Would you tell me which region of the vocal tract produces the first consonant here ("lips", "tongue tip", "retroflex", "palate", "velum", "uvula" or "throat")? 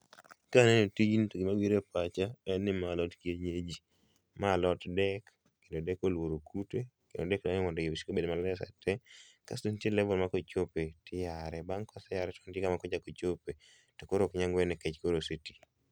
velum